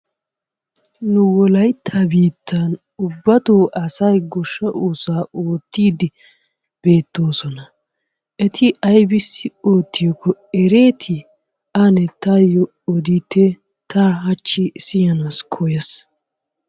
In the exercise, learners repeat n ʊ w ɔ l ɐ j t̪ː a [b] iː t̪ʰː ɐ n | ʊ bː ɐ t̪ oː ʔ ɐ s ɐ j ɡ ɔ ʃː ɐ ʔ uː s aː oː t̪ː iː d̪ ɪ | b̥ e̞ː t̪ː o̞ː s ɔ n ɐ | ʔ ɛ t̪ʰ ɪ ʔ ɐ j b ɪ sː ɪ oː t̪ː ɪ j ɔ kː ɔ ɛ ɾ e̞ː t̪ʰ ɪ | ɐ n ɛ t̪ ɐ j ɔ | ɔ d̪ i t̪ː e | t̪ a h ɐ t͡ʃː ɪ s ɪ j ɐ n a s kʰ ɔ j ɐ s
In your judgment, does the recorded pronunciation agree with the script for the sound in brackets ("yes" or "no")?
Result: yes